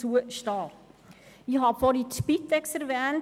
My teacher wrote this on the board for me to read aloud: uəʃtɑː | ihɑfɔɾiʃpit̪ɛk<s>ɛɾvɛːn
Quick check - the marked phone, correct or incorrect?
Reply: correct